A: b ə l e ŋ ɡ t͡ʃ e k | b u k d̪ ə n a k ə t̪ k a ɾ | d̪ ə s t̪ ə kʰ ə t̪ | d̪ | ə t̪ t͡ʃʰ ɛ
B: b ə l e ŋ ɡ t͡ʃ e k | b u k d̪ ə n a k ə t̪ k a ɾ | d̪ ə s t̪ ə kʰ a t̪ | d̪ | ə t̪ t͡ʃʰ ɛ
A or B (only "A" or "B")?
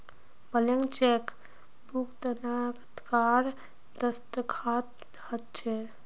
B